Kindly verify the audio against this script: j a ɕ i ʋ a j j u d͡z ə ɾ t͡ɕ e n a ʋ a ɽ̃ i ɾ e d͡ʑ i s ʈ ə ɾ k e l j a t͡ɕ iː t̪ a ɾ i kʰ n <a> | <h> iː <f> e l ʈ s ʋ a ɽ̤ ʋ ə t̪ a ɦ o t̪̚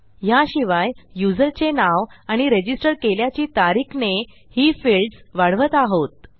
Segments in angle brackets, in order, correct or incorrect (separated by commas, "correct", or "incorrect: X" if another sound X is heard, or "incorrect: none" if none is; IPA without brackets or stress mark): incorrect: e, correct, correct